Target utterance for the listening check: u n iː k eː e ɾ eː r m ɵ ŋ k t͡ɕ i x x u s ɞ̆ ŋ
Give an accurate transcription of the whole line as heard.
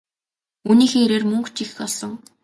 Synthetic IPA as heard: u n iː x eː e ɾ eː r m ɵ ŋ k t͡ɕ i x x ɔ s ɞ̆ ŋ